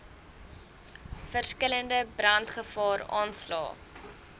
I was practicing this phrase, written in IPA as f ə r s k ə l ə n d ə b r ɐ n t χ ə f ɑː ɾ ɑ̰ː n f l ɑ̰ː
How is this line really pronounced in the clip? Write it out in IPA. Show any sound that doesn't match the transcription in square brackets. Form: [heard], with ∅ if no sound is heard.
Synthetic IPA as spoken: f ə r s k ə l ə n d ə b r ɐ n t χ ə f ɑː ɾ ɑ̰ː n [s] l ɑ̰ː